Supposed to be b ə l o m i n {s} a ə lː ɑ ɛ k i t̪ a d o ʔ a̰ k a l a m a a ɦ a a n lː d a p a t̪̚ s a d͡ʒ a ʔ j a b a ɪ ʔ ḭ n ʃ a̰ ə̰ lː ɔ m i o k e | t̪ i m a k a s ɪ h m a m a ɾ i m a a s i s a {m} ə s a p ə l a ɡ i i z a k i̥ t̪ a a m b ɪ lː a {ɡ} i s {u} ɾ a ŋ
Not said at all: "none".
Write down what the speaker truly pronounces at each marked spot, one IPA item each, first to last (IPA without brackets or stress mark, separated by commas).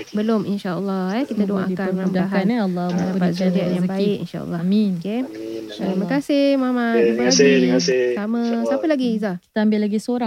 ʃ, m, ɡ, o